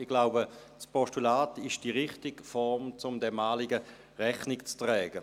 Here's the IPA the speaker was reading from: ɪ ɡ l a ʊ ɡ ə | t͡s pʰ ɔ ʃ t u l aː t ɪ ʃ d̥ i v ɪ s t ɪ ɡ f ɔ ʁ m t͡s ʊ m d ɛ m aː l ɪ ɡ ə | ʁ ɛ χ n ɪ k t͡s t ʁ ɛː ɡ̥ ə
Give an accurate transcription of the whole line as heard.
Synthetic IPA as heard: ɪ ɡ l a ʊ b ə | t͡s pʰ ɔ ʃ t u l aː t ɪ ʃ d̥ i ʁ ɪ χ t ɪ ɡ f ɔ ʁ m t͡s ʊ m d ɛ m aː l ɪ ɡ ə | ʁ ɛ χ n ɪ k t͡s t ʁ ɛː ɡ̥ ə